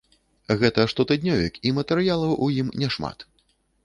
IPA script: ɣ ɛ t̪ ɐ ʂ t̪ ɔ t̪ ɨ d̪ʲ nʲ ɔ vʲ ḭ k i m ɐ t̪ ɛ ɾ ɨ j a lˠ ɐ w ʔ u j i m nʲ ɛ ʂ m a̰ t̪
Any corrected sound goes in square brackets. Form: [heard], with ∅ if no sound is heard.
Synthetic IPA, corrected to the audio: ɣ ɛ t̪ ɐ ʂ t̪ ɔ t̪ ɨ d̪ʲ nʲ ɔ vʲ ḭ k i m ɐ t̪ ɛ ɾ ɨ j a lˠ ɐ w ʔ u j i m nʲ ɛ ʂ m a̰ t̪